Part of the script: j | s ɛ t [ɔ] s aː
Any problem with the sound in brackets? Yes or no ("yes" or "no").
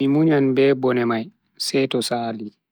no